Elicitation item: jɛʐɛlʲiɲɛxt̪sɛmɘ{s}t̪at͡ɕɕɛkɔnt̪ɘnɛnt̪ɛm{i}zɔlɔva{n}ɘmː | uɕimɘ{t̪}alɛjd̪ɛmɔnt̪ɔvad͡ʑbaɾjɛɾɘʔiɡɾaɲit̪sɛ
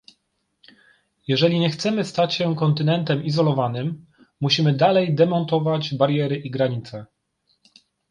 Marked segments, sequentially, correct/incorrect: correct, correct, correct, incorrect: d̪

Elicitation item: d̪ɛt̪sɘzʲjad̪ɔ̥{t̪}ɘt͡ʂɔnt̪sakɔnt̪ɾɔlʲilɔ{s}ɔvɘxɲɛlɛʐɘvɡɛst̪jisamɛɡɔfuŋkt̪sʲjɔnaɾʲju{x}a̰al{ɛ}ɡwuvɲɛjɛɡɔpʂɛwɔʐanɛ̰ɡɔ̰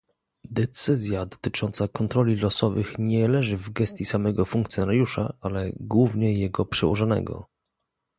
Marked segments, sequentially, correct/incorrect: correct, correct, incorrect: ʂ, correct

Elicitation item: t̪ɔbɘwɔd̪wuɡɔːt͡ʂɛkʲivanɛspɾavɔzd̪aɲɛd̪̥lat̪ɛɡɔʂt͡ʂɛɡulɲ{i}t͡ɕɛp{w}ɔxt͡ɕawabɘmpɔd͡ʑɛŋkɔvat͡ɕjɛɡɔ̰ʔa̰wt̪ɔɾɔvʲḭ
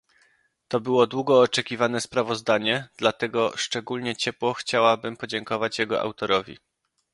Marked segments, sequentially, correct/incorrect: incorrect: ɛ, correct

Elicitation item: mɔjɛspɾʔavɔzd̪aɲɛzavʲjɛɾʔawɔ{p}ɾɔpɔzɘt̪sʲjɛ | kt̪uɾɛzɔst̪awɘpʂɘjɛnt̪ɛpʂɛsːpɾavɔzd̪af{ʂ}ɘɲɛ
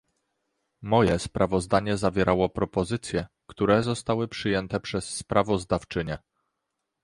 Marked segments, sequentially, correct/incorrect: correct, incorrect: t͡ʂ

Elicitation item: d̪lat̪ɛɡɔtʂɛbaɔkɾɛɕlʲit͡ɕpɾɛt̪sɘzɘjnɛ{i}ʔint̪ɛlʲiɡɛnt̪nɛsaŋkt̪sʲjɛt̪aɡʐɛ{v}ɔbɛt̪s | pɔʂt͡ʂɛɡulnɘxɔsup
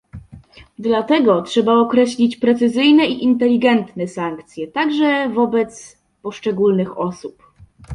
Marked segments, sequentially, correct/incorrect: correct, correct

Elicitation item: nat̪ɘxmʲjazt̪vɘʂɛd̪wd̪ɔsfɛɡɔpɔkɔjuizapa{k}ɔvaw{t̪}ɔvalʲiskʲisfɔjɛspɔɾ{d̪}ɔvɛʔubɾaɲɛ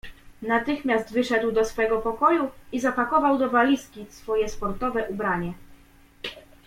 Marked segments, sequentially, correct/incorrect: correct, incorrect: d̪, incorrect: t̪

